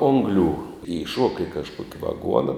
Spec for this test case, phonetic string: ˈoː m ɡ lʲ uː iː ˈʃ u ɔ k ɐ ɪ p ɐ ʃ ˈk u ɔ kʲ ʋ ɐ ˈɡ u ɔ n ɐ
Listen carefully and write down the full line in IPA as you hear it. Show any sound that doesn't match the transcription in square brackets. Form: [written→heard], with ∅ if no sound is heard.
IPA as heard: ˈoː [m→ŋ] ɡ lʲ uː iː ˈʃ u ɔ k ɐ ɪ [p→k] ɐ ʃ ˈk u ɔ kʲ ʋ ɐ ˈɡ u ɔ n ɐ